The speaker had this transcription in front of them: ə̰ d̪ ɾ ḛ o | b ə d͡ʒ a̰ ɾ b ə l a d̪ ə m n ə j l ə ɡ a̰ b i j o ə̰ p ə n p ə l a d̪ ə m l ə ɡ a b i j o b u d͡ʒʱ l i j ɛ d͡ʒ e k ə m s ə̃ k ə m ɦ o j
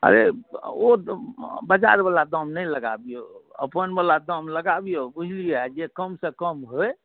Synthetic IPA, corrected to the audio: ə̰ ɾ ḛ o | b ə d͡ʒ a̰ ɾ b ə l a d̪ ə m n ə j l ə ɡ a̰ b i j o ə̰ p ə n b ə l a d̪ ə m l ə ɡ a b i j o b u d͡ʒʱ l i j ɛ d͡ʒ e k ə m s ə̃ k ə m ɦ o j